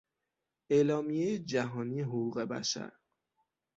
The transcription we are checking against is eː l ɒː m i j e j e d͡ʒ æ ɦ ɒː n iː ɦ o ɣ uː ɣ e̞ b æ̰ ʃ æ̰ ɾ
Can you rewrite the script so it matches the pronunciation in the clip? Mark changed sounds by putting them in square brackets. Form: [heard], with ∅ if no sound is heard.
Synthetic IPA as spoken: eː l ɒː m i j e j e d͡ʒ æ ɦ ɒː n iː ɦ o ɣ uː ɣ e̞ b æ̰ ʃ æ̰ ɾ